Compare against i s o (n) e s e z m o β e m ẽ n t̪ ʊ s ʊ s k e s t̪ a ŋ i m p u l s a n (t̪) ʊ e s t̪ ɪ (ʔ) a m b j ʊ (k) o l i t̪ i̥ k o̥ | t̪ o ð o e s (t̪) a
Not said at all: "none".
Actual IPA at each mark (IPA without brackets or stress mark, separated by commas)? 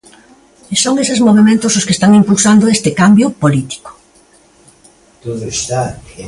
ŋ, d̪, k, p, t̪